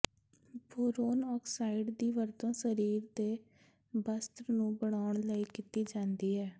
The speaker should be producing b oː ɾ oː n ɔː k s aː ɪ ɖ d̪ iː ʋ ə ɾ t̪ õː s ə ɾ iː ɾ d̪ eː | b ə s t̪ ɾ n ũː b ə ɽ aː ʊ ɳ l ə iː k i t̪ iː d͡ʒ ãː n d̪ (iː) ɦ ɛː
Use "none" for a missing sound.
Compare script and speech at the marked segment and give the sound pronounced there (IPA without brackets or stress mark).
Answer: iː